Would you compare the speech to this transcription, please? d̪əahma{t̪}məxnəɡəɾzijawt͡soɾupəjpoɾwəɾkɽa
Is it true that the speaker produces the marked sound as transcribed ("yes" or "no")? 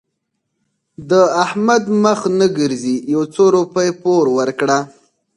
no